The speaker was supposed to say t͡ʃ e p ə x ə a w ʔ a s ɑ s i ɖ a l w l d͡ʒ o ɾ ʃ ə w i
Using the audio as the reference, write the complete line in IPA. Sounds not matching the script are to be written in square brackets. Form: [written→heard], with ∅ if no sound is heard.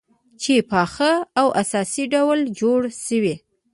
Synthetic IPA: t͡ʃ e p [ə→ɑ] x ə a w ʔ a s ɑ s i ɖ a [l→∅] w l d͡ʒ o [ɾ→ɽ] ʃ ə w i